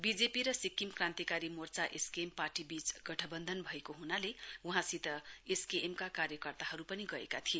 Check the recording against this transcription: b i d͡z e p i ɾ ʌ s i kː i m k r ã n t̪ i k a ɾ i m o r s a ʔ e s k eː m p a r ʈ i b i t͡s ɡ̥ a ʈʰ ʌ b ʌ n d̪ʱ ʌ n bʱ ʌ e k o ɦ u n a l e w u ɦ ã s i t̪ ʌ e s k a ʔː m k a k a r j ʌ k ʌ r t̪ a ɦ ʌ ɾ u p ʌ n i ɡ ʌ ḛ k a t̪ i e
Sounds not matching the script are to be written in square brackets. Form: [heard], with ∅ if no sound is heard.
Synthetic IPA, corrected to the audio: b i d͡z e p i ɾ ʌ s i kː i m k r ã n t̪ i k a ɾ i m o r [t͡s] a ʔ e s k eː m p a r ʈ i b i t͡s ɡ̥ [ʌ] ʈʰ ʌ b ʌ n d̪ʱ ʌ n bʱ ʌ e k o ɦ u n a l e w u ɦ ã s i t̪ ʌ e s k [e] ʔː m k a k a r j ʌ k ʌ r t̪ a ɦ ʌ ɾ u p ʌ n i ɡ ʌ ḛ k a [t̪ʰ] i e